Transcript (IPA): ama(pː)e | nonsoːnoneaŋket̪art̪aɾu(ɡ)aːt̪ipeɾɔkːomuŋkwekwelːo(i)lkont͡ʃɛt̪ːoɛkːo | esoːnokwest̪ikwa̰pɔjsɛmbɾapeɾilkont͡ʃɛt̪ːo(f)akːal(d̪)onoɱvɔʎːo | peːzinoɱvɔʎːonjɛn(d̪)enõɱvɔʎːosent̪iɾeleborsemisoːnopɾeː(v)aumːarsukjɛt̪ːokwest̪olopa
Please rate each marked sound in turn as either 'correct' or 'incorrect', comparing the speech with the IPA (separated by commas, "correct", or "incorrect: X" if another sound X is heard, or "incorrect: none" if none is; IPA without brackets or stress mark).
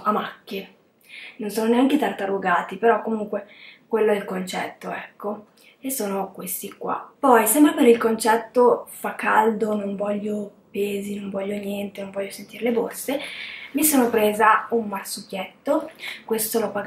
incorrect: kː, correct, incorrect: ɛ, correct, correct, incorrect: t̪, incorrect: z